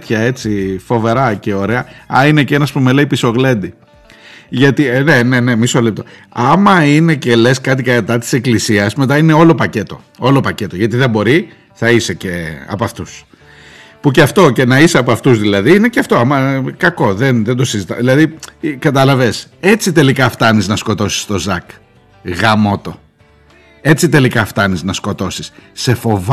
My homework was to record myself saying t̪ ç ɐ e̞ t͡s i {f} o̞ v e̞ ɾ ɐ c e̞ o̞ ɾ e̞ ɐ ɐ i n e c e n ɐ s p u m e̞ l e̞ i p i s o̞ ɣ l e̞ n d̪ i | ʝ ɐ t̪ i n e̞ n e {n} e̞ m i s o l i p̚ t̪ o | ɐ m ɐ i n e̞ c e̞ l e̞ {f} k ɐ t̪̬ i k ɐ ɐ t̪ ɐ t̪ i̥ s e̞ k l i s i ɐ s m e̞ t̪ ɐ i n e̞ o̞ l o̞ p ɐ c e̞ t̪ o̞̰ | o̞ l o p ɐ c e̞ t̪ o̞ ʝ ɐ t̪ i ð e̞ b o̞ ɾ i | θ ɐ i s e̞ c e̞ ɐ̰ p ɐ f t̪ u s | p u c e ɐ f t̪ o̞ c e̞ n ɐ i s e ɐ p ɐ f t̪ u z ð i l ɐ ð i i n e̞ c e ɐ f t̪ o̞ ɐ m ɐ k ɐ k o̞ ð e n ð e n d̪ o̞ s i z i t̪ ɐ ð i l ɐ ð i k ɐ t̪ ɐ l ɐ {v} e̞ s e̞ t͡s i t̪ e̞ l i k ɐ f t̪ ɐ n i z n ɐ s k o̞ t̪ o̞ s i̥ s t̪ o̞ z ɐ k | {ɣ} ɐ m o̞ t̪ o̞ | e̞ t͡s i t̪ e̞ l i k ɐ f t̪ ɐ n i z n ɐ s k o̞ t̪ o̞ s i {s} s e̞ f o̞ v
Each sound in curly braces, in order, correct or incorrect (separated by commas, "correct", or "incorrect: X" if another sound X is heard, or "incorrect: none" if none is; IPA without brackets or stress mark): correct, correct, incorrect: s, correct, correct, correct